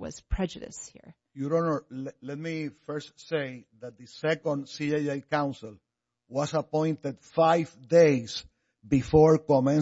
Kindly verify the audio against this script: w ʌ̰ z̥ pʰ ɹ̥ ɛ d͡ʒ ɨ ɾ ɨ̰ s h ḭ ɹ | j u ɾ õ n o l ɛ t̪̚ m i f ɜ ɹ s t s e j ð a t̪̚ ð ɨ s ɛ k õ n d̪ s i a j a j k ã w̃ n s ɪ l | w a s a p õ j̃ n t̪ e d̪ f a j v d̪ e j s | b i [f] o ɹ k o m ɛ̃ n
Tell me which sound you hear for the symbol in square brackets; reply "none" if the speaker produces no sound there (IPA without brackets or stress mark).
f